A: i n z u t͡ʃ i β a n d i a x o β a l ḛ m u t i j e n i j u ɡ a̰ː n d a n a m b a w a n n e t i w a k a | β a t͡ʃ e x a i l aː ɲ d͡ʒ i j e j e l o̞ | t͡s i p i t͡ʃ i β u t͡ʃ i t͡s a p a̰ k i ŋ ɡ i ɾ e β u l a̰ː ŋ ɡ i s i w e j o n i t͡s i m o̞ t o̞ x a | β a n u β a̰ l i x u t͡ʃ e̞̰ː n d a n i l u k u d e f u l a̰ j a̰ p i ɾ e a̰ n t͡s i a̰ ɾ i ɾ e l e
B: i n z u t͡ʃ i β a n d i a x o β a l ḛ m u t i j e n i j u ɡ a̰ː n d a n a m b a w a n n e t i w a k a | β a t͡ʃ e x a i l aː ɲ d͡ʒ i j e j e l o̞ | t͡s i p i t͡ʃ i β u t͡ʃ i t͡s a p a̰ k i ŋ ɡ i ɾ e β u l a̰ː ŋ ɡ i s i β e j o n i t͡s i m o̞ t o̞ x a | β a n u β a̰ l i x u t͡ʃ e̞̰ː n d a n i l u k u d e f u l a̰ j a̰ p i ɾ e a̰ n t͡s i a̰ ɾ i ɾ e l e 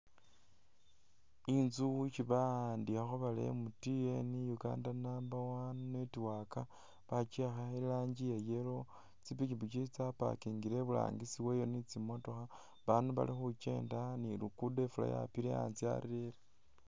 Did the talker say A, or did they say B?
A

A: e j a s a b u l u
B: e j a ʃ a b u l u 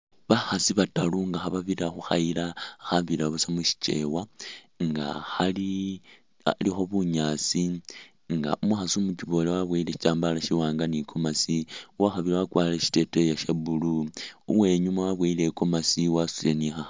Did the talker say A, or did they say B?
B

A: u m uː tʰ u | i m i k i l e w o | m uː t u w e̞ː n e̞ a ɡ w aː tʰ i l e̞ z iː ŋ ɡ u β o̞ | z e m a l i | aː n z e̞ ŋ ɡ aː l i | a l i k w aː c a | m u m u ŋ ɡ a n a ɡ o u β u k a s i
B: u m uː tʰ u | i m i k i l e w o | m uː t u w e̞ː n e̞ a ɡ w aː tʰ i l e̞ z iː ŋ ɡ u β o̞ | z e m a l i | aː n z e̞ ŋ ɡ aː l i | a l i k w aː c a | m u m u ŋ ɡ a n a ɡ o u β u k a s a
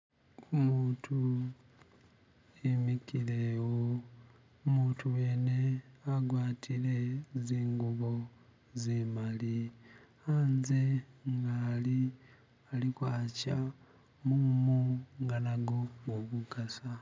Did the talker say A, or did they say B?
B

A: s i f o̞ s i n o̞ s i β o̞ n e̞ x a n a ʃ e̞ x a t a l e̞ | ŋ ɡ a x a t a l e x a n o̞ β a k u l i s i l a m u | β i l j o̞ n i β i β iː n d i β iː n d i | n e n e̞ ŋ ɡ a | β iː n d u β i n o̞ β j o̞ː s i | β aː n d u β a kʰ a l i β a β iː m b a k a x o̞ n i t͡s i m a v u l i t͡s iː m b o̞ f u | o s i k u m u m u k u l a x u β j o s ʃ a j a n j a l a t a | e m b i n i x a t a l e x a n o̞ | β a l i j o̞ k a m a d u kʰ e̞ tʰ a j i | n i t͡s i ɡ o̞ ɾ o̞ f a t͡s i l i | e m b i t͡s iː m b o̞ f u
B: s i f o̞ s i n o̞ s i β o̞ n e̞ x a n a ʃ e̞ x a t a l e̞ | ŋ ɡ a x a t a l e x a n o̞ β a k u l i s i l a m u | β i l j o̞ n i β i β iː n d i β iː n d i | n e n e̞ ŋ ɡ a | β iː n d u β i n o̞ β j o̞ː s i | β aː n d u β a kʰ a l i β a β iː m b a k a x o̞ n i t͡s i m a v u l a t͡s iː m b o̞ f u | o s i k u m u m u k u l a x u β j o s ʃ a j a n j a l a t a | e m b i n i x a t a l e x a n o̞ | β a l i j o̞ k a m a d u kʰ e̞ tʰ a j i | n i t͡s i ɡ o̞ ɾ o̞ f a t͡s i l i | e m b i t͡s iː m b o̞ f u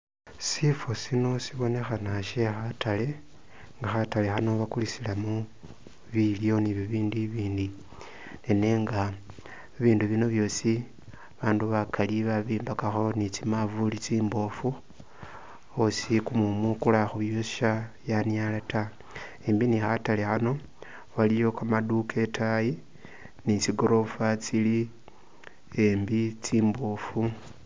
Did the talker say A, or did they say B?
A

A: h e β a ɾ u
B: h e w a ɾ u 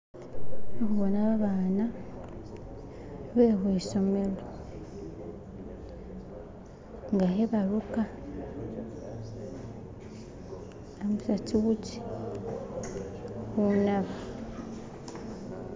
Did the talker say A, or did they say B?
A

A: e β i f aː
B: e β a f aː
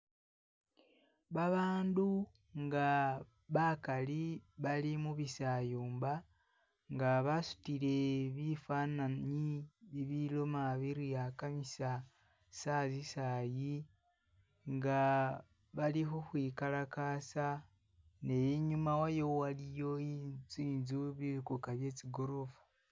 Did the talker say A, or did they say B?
A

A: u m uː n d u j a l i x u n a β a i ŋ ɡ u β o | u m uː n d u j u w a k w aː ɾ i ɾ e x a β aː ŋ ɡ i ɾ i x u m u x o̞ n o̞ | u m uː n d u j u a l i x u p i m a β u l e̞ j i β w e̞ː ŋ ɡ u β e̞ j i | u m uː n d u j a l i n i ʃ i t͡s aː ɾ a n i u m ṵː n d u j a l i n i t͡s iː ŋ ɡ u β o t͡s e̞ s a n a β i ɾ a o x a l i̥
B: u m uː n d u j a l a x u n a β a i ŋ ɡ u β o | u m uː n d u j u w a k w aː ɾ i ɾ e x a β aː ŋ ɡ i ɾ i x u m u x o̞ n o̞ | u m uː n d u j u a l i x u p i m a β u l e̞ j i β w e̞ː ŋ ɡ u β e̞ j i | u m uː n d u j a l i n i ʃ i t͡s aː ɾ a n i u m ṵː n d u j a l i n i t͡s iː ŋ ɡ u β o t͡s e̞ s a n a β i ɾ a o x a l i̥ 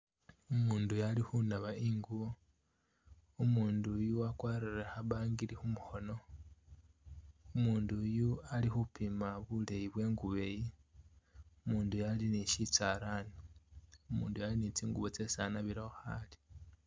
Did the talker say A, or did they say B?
A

